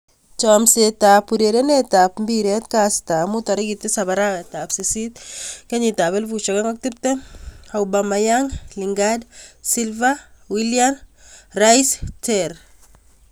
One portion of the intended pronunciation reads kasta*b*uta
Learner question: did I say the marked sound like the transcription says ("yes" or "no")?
no